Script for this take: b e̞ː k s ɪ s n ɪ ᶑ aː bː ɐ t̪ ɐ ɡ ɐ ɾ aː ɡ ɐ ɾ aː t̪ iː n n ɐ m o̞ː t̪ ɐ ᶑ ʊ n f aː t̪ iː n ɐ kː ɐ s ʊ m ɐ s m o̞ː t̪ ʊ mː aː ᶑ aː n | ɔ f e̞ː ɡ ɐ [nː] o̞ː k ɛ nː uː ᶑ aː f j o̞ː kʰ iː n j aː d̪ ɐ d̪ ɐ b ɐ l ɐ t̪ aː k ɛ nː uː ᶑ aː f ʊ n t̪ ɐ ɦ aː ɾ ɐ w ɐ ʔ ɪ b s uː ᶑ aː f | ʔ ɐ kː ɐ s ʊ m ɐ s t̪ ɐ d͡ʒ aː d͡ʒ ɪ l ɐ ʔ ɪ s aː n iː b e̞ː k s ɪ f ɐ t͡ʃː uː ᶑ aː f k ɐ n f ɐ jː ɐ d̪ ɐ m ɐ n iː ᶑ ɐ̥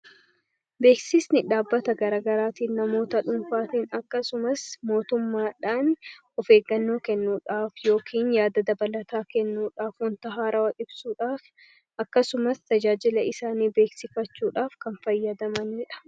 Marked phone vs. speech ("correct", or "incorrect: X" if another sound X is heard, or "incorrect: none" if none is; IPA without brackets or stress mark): correct